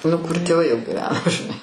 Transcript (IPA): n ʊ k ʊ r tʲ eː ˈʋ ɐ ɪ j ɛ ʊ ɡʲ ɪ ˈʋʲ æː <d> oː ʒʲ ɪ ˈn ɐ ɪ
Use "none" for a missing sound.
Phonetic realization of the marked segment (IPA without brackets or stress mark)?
n